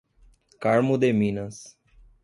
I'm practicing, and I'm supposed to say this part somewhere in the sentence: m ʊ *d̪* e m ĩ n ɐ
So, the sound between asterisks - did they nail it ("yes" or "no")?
yes